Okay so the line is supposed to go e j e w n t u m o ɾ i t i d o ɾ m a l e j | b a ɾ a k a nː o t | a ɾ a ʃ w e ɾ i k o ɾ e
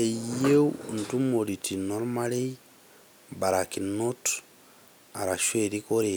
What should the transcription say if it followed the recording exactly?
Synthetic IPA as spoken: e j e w n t u m o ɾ i t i n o ɾ m a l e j | b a ɾ a k i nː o t | a ɾ a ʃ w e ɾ i k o ɾ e